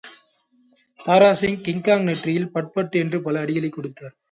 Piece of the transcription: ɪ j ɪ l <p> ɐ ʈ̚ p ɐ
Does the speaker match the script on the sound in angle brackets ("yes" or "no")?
yes